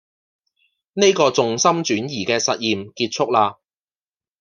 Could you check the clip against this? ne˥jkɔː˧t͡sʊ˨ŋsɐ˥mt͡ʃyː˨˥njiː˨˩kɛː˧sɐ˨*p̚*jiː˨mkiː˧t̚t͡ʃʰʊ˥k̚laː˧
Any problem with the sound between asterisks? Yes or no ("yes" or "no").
yes